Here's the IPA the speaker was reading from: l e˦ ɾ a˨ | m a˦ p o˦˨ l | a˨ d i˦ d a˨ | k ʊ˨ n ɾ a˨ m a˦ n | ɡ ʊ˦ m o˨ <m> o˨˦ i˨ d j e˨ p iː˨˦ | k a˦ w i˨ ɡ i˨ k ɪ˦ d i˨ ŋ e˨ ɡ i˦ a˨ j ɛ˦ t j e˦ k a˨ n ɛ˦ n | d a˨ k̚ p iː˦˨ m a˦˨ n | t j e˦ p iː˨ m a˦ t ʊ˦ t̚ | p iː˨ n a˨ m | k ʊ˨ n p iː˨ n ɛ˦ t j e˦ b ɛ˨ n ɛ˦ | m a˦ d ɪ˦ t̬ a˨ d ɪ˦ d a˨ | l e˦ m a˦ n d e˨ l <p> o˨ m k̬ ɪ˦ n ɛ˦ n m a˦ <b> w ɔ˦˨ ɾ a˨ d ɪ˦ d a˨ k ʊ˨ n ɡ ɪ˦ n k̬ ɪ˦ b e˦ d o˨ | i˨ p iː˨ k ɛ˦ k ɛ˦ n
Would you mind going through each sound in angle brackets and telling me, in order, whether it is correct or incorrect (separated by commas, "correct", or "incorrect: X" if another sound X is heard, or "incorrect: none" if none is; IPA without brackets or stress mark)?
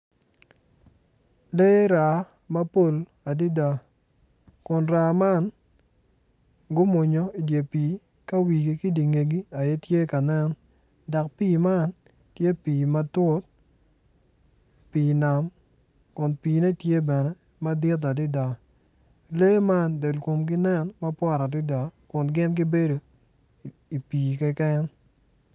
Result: incorrect: ɲ, incorrect: k, incorrect: p